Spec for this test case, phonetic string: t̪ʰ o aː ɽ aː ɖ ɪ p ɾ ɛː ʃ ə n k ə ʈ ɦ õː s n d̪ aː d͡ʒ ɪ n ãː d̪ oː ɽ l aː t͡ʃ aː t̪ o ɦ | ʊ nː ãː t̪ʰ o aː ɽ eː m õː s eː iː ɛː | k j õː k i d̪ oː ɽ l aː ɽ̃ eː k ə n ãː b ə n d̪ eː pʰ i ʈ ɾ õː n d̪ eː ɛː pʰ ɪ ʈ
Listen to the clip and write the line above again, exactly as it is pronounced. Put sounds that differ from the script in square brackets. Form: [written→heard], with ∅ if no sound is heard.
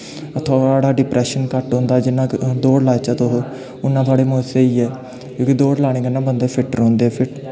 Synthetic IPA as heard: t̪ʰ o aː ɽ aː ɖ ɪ p ɾ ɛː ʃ ə n k ə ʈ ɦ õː [s→∅] n d̪ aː d͡ʒ ɪ n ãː d̪ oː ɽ l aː t͡ʃ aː t̪ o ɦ | ʊ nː ãː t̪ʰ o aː ɽ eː m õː s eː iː ɛː | k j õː k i d̪ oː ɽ l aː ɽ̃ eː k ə n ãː b ə n d̪ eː pʰ [i→ɪ] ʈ ɾ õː n d̪ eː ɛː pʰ ɪ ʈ